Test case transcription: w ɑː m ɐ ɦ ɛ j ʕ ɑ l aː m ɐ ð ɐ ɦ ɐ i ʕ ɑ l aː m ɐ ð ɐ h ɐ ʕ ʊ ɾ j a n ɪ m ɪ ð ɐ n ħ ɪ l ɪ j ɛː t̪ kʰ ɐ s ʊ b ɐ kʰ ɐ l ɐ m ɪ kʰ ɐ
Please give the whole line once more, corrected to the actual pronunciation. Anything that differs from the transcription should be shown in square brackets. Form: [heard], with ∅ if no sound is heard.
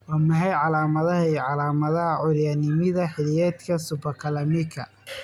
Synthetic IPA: w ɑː m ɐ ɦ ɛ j ʕ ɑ l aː m ɐ ð ɐ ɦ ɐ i ʕ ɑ l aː m ɐ ð ɐ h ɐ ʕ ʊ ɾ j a n ɪ m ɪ ð ɐ [∅] ħ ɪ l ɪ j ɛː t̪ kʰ ɐ s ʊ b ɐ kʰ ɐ l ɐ m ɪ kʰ ɐ

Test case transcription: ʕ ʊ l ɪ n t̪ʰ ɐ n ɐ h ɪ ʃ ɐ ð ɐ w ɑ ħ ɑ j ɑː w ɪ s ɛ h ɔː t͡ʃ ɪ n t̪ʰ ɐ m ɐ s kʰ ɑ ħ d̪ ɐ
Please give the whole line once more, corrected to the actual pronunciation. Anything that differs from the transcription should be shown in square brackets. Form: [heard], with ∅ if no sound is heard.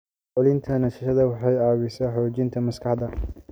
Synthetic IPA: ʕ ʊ l ɪ n t̪ʰ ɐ n ɐ [ʃ] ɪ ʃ ɐ ð ɐ w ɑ ħ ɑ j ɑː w ɪ s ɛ [ħ] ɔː t͡ʃ ɪ n t̪ʰ ɐ m ɐ s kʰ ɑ ħ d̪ ɐ

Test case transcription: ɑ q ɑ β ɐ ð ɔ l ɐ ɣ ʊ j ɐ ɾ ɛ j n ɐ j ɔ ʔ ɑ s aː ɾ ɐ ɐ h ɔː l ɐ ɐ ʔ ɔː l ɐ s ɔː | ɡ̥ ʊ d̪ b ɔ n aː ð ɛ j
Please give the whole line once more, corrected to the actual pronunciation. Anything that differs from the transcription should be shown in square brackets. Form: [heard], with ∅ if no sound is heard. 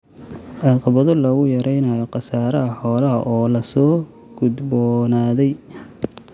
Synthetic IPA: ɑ q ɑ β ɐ ð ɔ l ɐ ɣ ʊ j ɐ ɾ ɛ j n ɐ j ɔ [q] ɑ s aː ɾ ɐ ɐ [ħ] ɔː l ɐ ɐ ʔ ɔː l ɐ s ɔː | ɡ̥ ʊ d̪ b ɔ n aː ð ɛ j

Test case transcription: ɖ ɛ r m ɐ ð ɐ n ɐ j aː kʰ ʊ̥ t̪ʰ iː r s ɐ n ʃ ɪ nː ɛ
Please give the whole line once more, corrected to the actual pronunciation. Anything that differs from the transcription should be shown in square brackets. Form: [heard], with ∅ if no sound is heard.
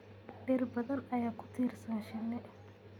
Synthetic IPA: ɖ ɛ r [b] ɐ ð ɐ n ɐ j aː kʰ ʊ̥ t̪ʰ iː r s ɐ n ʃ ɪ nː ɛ

